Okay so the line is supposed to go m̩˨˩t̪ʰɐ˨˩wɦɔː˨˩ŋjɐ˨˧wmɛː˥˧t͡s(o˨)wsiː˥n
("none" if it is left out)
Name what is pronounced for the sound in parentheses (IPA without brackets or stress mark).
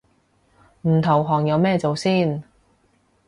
o˨